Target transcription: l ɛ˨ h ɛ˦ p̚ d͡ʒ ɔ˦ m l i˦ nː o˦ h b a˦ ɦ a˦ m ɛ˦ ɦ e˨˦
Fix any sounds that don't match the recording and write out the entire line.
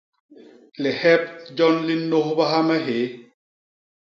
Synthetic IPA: l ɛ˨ h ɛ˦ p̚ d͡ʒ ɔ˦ n l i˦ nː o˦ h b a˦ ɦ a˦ m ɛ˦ ɦ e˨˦